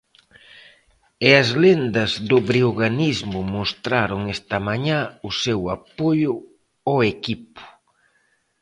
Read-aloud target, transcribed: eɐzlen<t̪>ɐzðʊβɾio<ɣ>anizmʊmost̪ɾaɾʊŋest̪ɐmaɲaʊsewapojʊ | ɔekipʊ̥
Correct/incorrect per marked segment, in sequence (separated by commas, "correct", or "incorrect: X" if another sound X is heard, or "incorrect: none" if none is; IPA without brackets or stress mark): incorrect: d̪, correct